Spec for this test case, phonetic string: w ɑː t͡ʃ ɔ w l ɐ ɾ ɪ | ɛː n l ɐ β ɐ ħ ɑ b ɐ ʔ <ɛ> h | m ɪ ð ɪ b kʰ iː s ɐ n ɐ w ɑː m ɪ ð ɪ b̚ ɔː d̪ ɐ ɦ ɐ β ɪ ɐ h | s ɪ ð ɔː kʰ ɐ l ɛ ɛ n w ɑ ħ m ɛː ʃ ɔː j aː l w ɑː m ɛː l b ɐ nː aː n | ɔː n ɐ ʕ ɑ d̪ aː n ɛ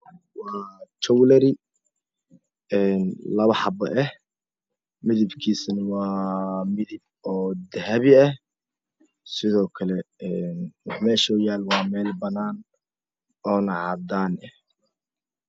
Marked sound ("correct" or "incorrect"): correct